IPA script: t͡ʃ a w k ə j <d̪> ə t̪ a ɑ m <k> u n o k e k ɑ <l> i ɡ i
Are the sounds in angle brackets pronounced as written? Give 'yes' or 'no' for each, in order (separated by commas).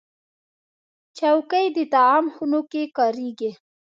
yes, no, no